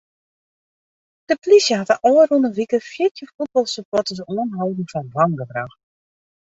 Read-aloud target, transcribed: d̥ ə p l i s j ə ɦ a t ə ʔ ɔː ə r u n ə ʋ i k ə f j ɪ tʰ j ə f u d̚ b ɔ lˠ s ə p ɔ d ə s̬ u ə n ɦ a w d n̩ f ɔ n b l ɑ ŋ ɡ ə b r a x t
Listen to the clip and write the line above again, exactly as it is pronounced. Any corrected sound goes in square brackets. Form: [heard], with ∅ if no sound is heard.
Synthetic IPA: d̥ ə p l i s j ə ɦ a t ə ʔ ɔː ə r u n ə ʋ i k ə f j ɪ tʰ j ə f u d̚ b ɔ lˠ s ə p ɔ [t] ə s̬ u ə n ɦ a w d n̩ f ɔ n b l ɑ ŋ ɡ ə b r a x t